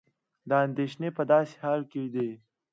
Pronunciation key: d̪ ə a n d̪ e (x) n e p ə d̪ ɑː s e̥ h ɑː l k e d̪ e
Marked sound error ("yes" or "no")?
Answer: yes